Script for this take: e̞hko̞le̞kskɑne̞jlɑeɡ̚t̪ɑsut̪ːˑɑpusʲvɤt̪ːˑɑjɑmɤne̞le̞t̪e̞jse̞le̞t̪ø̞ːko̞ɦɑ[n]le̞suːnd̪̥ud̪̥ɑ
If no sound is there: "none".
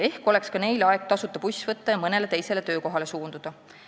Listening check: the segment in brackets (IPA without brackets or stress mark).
none